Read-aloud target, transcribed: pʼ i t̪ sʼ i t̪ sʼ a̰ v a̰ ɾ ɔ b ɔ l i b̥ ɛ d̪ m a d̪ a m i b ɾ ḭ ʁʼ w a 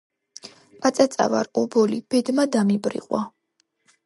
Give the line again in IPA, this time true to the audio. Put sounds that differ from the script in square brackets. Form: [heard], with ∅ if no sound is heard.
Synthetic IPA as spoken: pʼ [a] t̪ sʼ [a] t̪ sʼ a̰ v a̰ ɾ ɔ b ɔ l i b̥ ɛ d̪ m a d̪ a m i b ɾ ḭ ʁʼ w a